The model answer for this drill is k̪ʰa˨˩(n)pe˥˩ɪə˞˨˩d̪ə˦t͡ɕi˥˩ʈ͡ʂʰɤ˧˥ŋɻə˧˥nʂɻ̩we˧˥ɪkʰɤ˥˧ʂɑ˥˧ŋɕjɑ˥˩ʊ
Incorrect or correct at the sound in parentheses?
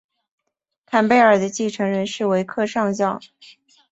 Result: correct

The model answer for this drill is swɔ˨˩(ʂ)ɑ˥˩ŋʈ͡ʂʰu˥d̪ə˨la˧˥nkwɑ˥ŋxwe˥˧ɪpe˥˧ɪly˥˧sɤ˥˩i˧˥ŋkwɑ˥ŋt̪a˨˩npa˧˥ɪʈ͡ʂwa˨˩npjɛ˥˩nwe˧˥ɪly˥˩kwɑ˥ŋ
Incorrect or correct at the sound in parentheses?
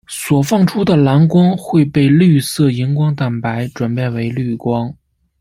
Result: incorrect: f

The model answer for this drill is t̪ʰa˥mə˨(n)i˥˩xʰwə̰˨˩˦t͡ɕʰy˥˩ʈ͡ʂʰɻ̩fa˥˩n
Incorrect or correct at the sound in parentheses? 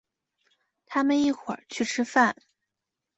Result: correct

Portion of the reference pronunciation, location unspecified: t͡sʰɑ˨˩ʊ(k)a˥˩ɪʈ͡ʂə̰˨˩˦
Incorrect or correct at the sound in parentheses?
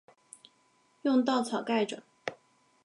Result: correct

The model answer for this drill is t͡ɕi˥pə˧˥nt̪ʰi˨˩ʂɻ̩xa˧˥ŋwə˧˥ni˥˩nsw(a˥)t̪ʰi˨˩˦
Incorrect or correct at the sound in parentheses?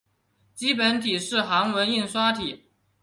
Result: correct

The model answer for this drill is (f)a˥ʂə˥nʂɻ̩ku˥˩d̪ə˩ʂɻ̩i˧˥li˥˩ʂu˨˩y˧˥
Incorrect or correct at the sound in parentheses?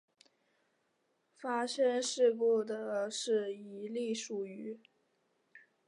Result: correct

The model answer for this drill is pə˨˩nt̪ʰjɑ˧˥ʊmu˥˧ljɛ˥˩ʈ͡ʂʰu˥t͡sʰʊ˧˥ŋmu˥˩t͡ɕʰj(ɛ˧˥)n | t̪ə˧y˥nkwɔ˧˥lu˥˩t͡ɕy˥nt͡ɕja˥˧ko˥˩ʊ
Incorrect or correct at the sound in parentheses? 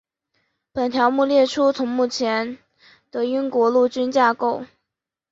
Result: correct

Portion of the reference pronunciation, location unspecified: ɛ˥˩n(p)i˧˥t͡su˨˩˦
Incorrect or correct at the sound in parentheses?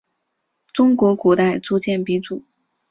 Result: correct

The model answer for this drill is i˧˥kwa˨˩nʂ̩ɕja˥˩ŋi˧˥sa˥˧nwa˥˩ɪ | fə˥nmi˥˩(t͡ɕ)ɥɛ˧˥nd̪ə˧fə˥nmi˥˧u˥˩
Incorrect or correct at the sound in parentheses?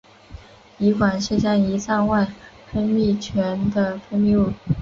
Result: incorrect: t͡ɕʰ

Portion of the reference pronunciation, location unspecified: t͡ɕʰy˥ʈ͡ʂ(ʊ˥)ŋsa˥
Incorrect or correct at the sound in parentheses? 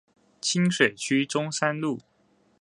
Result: correct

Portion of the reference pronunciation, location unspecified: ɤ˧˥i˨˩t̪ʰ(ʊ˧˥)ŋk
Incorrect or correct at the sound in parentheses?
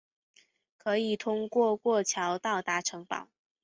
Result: incorrect: ʊ˥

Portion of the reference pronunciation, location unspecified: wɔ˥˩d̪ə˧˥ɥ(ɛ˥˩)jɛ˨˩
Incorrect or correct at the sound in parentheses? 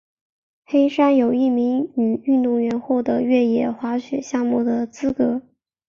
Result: correct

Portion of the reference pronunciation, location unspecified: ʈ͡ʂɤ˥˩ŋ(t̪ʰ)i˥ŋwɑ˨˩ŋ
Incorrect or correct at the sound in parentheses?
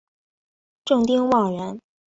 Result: incorrect: t̪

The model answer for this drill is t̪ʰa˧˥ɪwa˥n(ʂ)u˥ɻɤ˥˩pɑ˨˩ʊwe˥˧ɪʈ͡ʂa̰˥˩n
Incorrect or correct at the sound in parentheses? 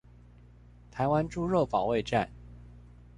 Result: incorrect: ʈ͡ʂ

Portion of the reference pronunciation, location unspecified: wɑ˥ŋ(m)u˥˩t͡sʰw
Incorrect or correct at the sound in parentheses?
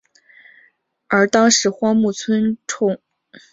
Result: correct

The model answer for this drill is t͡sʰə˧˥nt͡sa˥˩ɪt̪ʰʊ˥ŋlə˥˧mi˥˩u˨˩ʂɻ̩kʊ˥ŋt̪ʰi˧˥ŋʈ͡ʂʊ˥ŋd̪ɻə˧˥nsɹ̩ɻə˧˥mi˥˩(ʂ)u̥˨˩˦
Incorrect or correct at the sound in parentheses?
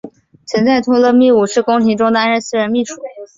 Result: correct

